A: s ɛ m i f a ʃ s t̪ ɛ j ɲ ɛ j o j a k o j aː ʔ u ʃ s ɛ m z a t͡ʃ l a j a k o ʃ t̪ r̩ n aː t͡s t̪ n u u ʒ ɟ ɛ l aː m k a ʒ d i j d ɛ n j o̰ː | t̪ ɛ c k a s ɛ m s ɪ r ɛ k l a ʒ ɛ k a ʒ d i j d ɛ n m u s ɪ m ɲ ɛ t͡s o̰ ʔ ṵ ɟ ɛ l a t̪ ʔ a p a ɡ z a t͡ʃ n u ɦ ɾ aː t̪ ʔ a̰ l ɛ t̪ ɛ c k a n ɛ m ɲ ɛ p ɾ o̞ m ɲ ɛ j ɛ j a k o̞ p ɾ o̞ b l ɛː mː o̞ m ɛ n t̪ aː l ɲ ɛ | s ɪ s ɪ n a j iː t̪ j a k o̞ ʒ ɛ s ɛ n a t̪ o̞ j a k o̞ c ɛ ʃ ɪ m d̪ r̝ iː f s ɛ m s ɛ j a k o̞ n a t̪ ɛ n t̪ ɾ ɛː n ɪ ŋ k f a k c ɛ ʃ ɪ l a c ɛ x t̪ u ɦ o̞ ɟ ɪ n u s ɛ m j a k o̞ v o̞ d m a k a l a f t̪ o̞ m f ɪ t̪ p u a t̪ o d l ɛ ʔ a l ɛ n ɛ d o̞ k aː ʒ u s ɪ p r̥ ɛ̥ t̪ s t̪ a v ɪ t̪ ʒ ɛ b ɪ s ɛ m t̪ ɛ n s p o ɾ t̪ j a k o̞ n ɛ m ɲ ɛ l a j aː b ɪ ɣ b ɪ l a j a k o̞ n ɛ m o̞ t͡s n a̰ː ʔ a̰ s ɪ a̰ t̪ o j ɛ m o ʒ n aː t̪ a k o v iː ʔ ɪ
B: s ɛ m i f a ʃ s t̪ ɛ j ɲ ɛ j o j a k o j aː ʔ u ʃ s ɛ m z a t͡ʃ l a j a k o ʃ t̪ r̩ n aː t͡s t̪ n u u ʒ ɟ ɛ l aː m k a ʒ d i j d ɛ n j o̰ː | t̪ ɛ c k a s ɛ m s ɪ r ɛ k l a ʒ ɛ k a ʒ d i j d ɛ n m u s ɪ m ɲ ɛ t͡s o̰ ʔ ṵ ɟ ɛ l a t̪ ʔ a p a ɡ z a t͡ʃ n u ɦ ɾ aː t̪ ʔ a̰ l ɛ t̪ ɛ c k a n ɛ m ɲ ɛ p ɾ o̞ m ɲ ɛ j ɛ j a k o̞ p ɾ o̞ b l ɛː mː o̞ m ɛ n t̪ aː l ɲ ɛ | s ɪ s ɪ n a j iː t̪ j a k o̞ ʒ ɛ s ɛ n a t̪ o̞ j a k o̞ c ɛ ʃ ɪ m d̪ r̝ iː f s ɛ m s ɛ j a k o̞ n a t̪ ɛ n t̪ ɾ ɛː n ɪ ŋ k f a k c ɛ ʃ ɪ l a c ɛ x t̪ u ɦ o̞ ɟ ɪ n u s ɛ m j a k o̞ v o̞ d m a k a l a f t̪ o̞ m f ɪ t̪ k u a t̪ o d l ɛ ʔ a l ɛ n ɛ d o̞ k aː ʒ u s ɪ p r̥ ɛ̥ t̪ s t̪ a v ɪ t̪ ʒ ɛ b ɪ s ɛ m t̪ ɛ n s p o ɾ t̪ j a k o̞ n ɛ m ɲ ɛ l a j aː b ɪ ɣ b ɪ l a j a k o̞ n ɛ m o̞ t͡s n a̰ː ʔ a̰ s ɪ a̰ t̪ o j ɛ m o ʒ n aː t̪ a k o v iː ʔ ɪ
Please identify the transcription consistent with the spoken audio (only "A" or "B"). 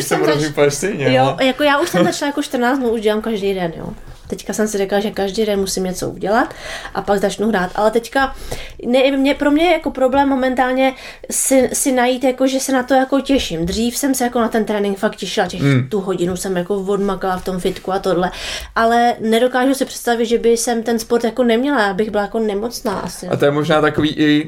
B